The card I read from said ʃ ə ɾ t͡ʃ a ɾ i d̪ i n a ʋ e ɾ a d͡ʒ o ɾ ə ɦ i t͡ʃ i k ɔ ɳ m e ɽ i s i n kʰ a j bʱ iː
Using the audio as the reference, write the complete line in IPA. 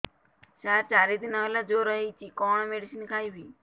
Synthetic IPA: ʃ a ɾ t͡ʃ a ɾ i d̪ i n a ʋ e l a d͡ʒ o ɾ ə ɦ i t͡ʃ i k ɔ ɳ m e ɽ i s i n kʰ a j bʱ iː